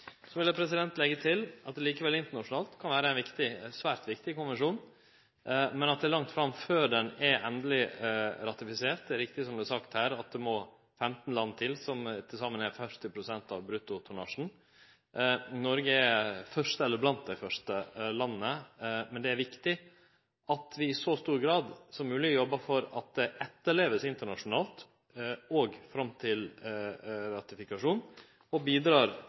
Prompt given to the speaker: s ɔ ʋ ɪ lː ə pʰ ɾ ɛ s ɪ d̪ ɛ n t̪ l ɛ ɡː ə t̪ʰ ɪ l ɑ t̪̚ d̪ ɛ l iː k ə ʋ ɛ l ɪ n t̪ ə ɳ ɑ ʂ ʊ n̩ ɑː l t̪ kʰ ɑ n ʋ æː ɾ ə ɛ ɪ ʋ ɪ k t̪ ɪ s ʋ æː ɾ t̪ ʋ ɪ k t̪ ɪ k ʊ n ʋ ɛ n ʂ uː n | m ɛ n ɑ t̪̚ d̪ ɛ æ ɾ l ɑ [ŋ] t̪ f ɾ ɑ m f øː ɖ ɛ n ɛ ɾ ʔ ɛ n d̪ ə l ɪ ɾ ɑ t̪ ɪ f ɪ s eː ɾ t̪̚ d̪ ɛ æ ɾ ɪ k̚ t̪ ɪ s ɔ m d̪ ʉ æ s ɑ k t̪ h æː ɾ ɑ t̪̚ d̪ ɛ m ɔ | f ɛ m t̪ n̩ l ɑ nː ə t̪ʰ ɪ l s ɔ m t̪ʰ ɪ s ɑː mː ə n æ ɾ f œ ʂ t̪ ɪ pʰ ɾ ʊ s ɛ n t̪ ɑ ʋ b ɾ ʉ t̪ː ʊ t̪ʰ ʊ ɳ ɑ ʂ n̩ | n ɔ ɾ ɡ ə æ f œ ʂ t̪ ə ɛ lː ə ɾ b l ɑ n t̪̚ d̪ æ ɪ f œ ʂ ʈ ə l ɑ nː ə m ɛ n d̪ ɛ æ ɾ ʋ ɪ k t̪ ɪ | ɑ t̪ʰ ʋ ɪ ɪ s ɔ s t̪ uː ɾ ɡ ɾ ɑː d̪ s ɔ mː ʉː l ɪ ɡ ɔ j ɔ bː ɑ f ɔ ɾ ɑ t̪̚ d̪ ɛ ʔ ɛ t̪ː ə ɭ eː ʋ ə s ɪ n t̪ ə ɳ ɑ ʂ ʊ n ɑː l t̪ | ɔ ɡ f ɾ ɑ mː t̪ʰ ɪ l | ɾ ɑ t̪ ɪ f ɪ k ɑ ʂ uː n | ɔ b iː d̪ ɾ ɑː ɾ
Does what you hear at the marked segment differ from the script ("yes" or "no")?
no